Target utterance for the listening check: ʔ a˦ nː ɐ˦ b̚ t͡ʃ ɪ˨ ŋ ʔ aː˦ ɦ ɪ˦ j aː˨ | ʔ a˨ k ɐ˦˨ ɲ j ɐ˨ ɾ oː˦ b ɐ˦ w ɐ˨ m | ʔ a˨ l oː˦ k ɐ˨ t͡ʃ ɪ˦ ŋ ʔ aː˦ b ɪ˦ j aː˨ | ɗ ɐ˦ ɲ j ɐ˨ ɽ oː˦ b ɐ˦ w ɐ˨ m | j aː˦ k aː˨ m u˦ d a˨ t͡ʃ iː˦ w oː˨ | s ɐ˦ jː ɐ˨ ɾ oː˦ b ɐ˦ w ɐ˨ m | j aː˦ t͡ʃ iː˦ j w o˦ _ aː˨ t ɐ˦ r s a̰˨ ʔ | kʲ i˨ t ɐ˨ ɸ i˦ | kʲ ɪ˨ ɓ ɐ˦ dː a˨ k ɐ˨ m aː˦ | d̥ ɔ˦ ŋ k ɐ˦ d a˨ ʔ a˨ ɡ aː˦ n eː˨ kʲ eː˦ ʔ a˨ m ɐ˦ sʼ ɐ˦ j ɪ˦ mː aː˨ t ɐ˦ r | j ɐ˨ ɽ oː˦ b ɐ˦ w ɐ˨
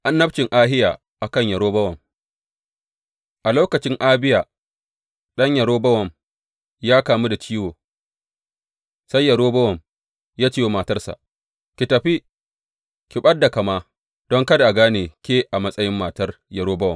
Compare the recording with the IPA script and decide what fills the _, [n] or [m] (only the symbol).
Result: m